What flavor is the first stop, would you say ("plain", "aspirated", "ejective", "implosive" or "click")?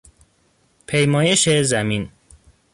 aspirated